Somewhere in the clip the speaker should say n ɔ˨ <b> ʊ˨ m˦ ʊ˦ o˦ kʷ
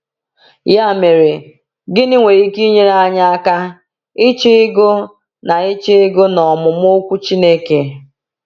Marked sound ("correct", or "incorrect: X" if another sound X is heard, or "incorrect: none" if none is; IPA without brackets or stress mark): incorrect: m